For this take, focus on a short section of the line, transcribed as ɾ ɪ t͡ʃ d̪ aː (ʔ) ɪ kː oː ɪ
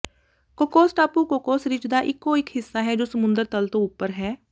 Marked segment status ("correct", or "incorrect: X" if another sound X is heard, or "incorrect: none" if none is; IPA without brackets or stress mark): correct